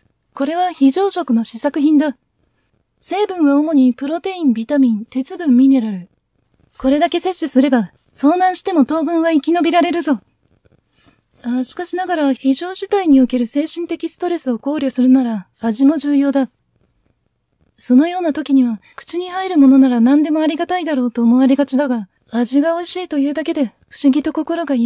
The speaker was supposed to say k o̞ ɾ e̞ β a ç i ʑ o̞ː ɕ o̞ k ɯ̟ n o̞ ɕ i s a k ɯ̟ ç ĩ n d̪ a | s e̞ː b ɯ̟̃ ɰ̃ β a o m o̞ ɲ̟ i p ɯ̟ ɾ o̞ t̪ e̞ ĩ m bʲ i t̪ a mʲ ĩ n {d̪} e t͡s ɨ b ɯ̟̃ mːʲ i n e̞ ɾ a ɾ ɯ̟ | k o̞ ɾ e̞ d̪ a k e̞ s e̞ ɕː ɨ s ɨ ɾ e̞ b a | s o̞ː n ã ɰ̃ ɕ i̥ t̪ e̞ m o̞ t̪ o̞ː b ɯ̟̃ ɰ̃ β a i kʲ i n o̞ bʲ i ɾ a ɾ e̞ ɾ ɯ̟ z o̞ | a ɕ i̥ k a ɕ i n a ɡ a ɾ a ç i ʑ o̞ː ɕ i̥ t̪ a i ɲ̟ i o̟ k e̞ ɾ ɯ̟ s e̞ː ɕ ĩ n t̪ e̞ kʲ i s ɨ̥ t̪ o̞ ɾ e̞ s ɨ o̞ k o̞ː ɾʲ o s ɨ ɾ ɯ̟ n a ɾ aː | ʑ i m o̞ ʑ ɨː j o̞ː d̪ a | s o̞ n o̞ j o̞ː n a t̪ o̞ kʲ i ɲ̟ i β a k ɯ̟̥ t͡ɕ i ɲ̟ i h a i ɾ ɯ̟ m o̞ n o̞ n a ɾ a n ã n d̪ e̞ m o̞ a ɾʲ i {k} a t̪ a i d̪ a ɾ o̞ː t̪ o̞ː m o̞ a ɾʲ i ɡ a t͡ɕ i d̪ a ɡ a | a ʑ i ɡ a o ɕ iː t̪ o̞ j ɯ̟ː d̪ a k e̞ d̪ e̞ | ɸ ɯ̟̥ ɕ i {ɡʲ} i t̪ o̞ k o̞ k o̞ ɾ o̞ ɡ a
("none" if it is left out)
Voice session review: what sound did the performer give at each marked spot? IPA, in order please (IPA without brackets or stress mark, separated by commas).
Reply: t̪, ɡ, ɡʲ